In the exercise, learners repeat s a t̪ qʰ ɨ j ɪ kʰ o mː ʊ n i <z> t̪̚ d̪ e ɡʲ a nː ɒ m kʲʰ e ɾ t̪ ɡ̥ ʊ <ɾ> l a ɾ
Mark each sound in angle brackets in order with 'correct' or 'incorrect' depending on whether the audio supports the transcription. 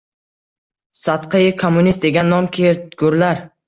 incorrect, correct

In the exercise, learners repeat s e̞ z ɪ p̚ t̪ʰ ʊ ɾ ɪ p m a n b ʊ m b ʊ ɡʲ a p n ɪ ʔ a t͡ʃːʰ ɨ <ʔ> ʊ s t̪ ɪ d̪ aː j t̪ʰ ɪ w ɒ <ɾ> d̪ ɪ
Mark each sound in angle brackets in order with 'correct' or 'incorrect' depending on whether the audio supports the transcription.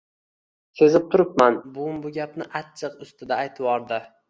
incorrect, correct

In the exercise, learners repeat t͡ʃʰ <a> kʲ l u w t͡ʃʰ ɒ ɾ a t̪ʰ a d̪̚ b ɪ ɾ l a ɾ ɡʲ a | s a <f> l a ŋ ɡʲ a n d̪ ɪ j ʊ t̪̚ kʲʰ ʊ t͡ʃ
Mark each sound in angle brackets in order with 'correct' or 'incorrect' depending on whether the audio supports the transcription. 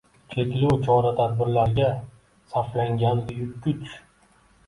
incorrect, correct

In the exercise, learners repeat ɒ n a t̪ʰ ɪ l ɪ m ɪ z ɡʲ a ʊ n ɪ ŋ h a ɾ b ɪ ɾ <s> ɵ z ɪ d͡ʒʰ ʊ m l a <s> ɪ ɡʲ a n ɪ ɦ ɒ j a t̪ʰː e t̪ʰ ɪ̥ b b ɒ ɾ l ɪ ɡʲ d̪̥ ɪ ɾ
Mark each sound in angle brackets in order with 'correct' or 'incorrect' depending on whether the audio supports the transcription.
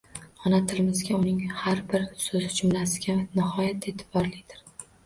correct, correct

